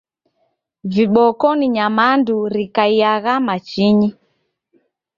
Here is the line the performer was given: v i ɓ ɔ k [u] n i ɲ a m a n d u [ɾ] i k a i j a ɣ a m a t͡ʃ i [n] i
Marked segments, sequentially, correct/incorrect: incorrect, correct, incorrect

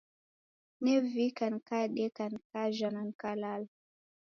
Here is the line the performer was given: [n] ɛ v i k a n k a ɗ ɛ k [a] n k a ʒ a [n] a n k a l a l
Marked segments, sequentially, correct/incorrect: correct, correct, correct

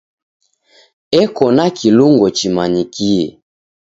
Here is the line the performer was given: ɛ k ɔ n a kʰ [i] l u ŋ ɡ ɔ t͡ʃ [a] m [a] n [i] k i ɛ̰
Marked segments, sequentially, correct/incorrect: correct, incorrect, correct, correct

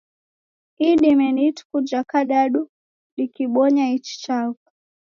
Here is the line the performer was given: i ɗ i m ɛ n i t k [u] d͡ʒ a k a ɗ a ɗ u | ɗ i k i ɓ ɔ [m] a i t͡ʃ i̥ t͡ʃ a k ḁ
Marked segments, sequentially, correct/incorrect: correct, incorrect

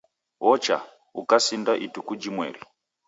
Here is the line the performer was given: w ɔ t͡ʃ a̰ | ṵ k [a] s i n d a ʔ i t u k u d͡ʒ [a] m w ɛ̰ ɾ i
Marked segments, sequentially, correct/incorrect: correct, incorrect

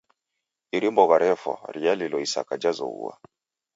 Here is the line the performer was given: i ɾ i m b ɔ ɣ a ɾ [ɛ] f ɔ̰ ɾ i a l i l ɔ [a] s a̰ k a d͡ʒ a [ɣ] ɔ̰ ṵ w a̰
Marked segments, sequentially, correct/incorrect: correct, incorrect, incorrect

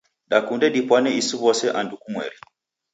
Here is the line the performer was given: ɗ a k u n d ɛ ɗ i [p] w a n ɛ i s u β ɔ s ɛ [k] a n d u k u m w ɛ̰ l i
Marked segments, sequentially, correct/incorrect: correct, incorrect

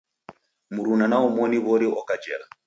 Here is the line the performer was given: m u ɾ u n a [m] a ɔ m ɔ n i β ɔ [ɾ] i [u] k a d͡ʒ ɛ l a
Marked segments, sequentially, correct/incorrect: incorrect, correct, incorrect

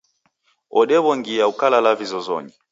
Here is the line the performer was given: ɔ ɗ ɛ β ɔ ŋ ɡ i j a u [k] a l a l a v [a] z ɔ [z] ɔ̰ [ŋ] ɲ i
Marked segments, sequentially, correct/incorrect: correct, incorrect, correct, incorrect

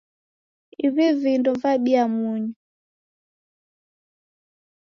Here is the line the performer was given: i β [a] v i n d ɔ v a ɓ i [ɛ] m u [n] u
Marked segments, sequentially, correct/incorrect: incorrect, incorrect, incorrect

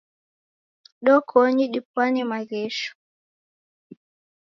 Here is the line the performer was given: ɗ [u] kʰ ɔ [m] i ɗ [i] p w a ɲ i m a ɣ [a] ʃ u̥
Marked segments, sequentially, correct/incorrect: incorrect, incorrect, correct, incorrect

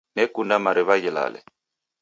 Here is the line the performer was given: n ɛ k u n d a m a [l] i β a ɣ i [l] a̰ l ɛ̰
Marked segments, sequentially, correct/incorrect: incorrect, correct

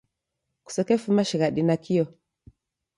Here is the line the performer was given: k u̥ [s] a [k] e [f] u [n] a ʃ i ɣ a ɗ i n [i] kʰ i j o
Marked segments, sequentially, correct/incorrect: correct, correct, correct, incorrect, incorrect

